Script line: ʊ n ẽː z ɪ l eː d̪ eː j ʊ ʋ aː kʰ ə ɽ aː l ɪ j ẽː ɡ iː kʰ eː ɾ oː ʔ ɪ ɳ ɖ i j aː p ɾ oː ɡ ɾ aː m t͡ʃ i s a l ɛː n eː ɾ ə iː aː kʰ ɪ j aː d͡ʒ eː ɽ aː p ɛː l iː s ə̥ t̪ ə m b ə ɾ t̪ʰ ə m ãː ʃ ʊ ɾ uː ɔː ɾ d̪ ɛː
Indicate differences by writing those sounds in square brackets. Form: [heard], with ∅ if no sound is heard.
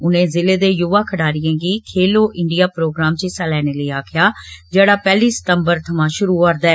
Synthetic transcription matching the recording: ʊ n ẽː z ɪ l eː d̪ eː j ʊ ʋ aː kʰ ə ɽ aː [ɾ] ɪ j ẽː ɡ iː kʰ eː [l] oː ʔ ɪ ɳ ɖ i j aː p ɾ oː ɡ ɾ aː m t͡ʃ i s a l ɛː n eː [l] ə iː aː kʰ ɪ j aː d͡ʒ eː ɽ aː p ɛː l iː s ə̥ t̪ ə m b ə ɾ t̪ʰ ə m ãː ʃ ʊ ɾ uː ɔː ɾ d̪ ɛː